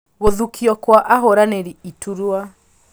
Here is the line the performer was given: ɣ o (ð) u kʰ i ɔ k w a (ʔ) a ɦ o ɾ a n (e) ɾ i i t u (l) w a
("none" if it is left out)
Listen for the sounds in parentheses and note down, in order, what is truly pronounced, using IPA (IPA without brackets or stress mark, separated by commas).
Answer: ð, ʔ, e, ɾ